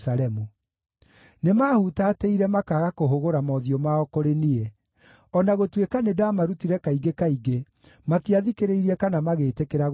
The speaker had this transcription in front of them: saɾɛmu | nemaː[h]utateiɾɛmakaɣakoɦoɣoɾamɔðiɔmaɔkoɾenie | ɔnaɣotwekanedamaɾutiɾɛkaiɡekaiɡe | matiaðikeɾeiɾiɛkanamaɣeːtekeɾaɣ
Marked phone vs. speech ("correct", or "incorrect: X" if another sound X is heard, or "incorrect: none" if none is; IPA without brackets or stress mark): correct